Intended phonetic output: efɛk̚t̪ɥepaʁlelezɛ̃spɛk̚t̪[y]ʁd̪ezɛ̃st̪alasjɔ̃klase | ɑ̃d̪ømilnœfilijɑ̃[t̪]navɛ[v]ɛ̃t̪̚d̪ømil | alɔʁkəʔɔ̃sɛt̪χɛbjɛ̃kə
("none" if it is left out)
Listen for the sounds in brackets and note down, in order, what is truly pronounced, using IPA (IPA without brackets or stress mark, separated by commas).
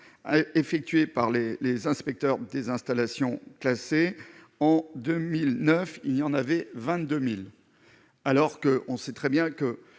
œ, none, v